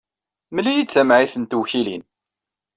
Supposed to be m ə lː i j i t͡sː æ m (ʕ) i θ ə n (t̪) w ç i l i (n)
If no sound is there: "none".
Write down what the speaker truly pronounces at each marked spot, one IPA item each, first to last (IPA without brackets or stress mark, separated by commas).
ʕ, t̪, n